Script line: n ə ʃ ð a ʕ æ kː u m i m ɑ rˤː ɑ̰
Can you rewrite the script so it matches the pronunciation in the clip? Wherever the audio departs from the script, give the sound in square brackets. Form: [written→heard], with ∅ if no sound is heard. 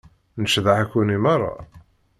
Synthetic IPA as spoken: n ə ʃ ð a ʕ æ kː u [m→n] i m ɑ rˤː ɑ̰